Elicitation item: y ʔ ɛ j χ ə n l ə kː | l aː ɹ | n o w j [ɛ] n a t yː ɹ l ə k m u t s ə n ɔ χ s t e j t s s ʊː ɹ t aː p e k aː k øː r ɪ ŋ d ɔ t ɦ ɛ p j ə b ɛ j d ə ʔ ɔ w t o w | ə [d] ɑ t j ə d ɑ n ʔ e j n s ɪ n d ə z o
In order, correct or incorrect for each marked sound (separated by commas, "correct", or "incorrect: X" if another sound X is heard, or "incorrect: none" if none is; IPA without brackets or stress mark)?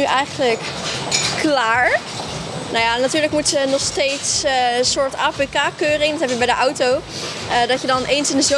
incorrect: a, correct